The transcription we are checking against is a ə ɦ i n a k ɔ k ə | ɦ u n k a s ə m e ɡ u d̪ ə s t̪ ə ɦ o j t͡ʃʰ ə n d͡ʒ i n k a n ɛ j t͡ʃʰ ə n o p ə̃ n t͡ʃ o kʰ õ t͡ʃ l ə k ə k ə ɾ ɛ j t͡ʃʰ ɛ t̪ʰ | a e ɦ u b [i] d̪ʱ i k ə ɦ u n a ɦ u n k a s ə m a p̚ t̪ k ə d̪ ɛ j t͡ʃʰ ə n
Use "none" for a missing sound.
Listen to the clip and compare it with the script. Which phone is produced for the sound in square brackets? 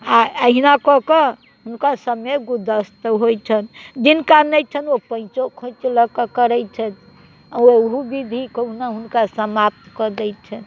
i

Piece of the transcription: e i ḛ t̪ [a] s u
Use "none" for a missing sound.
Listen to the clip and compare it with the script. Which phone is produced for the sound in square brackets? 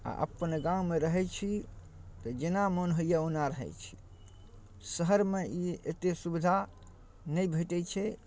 e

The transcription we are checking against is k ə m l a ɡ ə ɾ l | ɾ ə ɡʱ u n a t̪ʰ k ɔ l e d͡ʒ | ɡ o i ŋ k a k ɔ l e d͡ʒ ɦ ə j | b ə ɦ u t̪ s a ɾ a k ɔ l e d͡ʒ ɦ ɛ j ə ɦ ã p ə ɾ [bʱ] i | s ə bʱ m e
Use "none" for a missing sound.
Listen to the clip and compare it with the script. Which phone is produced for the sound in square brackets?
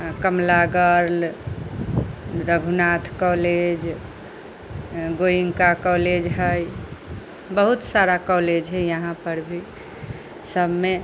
bʱ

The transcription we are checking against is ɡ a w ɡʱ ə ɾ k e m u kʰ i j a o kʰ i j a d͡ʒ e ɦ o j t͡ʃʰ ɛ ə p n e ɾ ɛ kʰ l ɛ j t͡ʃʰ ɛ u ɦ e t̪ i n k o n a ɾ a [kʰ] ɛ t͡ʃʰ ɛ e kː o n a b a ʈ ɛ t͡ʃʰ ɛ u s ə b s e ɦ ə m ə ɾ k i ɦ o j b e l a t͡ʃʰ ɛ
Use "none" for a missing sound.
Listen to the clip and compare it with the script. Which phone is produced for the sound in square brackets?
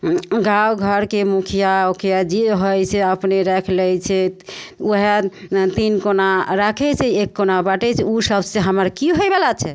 kʰ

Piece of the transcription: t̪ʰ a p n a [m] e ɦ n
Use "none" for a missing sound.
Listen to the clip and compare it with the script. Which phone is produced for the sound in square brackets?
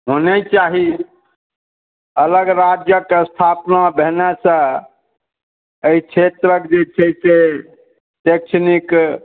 b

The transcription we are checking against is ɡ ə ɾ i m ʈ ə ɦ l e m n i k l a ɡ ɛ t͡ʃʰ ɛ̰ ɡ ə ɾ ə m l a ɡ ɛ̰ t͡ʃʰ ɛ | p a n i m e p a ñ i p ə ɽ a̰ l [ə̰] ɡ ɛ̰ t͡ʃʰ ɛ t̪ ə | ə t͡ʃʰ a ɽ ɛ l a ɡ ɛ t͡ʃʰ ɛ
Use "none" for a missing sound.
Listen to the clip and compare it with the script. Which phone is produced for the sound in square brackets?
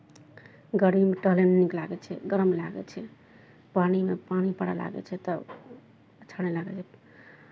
a̰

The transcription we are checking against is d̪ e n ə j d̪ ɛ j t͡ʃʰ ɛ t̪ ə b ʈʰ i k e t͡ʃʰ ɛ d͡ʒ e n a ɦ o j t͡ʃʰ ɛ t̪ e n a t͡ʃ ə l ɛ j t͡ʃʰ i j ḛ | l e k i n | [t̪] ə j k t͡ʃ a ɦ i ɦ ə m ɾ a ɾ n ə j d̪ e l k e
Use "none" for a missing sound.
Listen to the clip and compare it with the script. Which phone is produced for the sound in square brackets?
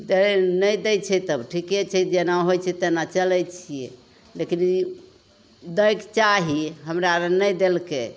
d̪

